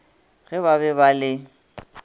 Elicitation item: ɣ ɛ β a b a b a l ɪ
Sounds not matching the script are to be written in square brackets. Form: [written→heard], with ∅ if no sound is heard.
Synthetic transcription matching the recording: ɣ ɛ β a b [a→ɛ] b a l ɪ